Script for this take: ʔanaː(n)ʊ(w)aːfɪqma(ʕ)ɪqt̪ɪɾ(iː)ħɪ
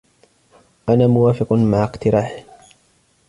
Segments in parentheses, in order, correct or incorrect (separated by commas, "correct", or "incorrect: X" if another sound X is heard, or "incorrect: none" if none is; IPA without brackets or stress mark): incorrect: m, correct, correct, incorrect: aː